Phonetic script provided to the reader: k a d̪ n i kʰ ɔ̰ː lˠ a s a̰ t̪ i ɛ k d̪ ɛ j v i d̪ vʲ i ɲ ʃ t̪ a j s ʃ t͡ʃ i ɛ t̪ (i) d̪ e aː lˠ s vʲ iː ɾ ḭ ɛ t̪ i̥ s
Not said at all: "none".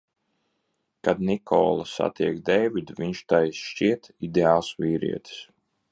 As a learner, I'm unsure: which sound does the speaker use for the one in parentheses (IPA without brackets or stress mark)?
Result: i